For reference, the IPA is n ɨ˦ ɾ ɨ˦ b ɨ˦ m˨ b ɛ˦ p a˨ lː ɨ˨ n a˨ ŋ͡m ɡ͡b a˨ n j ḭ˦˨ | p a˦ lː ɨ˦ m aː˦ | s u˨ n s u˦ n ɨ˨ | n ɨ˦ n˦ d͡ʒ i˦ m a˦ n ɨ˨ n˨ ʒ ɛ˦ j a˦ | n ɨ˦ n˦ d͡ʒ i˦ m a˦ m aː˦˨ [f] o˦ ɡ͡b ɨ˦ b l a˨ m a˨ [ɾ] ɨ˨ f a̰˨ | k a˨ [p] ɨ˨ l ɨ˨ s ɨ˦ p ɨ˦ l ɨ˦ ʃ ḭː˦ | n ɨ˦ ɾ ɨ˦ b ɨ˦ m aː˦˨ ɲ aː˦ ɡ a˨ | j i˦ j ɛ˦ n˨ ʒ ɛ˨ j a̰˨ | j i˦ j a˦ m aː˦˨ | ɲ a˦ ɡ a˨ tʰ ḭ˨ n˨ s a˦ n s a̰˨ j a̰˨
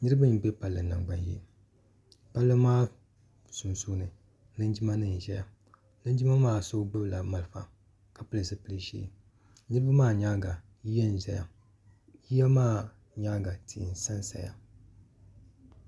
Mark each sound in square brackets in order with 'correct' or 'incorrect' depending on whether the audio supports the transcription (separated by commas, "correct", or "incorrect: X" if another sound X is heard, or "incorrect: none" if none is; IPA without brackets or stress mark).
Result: incorrect: s, incorrect: l, correct